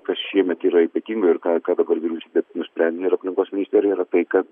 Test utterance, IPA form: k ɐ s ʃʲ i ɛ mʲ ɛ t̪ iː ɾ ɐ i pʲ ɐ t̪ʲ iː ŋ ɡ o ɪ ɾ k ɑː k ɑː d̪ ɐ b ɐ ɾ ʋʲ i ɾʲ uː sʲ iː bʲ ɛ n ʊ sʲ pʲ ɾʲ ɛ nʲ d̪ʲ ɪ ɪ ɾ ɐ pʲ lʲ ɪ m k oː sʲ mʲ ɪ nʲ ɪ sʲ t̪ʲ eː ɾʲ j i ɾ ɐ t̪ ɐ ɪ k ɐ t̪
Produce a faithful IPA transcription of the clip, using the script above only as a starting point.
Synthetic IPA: k ɐ s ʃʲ i ɛ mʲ ɛ t̪ iː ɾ ɐ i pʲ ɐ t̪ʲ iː ŋ ɡ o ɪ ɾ k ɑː k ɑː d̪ ɐ b ɐ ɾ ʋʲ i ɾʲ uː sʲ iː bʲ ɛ n ʊ sʲ pʲ ɾʲ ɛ nʲ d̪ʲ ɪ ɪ ɾ ɐ pʲ lʲ ɪ ŋ k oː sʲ mʲ ɪ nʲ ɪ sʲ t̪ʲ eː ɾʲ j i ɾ ɐ t̪ ɐ ɪ k ɐ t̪